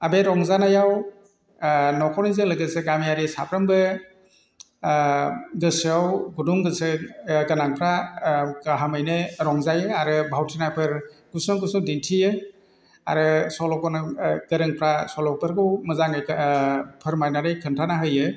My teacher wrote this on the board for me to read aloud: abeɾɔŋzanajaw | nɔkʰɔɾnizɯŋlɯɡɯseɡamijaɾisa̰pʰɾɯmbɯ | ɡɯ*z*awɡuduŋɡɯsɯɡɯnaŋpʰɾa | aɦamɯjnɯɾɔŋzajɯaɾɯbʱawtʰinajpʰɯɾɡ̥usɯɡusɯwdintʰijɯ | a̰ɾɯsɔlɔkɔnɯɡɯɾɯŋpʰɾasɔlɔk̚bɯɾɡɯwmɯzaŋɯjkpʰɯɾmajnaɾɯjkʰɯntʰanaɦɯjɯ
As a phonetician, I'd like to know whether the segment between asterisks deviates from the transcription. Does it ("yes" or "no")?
yes